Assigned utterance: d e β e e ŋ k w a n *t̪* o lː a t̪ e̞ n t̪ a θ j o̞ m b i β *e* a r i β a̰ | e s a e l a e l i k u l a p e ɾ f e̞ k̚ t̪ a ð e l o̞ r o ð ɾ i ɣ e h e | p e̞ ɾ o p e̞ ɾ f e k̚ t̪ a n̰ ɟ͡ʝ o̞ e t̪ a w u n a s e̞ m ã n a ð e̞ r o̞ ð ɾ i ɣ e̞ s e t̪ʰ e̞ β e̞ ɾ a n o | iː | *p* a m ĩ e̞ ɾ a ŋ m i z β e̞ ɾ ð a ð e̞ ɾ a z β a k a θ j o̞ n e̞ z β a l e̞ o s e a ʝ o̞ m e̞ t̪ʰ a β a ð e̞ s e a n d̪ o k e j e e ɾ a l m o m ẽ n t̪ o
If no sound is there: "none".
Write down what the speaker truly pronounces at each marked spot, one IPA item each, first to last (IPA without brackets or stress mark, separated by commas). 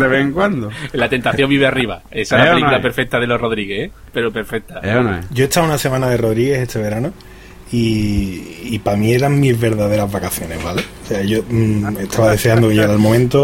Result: d̪, e, p